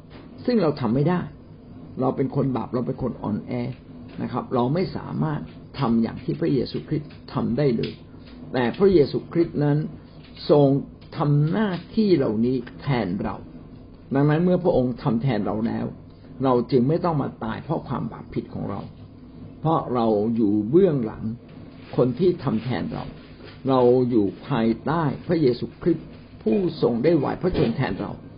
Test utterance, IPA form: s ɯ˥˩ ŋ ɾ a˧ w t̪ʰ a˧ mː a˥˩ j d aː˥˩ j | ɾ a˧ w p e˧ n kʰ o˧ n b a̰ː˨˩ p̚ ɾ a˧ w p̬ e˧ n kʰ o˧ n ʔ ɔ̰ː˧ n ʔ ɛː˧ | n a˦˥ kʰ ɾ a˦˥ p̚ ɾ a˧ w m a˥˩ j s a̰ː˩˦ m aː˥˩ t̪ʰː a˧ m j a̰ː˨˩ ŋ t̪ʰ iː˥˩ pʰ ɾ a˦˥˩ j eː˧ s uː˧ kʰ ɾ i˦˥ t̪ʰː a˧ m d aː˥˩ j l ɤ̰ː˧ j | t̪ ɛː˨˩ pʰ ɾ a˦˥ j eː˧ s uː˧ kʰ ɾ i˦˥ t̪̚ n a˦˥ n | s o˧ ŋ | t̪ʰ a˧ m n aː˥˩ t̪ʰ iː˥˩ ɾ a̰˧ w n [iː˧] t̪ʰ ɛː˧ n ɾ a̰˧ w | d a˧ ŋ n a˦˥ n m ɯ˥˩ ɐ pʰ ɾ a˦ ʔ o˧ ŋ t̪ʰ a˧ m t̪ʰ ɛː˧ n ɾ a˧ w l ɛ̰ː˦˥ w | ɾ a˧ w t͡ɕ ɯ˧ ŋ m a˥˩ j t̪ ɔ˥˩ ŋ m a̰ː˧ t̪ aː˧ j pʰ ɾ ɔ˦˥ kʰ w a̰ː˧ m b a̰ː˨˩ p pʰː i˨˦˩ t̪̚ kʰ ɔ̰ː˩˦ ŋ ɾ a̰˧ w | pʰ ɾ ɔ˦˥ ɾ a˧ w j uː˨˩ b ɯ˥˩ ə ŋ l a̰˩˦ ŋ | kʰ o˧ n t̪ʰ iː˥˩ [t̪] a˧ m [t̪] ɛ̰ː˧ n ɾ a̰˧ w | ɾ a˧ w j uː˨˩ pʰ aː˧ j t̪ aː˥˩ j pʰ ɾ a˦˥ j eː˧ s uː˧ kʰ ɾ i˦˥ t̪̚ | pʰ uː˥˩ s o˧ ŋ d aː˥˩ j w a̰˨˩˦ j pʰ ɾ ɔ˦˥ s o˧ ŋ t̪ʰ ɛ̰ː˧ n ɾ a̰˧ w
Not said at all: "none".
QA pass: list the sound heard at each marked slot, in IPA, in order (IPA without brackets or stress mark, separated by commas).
iː˦˥, t̪ʰ, t̪ʰ